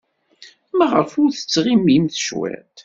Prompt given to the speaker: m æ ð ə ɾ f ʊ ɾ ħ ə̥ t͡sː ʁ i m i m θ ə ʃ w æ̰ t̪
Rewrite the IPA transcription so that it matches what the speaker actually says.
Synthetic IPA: m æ ʁ ə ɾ f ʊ ɾ θ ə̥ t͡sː ʁ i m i m θ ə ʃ w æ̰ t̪